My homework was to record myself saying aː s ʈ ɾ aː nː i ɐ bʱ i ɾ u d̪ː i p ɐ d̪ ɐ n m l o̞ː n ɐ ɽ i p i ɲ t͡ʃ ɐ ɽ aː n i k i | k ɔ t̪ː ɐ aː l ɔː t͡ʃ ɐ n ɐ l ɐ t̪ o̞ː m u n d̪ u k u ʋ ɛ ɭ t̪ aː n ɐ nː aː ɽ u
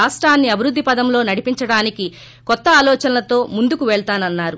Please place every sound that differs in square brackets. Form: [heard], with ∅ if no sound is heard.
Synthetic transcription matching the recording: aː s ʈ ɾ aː nː i ɐ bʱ i ɾ u d̪ː i p ɐ d̪ ɐ [∅] m l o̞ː n ɐ ɽ i p i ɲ t͡ʃ ɐ ɽ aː n i k i | k ɔ t̪ː ɐ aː l ɔː t͡ʃ ɐ n ɐ l ɐ t̪ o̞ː m u n d̪ u k u ʋ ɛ ɭ t̪ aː n ɐ nː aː [ɾ] u